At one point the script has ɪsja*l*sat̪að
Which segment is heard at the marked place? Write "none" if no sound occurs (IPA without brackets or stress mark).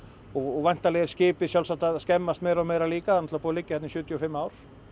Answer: l